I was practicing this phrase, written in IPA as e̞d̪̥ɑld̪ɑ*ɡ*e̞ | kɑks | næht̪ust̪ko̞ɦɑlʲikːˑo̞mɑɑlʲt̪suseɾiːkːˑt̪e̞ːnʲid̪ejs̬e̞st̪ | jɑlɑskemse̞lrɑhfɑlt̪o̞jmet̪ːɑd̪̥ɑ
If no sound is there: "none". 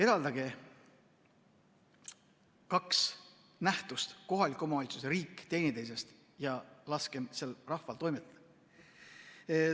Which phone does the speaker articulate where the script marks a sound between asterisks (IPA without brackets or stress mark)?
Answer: ɡ